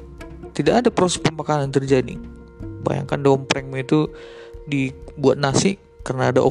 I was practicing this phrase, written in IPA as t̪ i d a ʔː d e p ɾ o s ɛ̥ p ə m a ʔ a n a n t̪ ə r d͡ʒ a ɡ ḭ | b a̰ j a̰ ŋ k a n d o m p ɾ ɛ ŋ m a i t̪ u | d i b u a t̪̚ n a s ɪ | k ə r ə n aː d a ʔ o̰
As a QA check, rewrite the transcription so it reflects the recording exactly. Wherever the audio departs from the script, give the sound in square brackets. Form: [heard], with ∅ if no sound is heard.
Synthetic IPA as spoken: t̪ i d a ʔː d [a] p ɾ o s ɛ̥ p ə m a [k] a n a n t̪ ə r d͡ʒ a [d] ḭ | b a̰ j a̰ ŋ k a n d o m p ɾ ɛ ŋ m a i t̪ u | d i b u a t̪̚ n a s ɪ | k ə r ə n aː d a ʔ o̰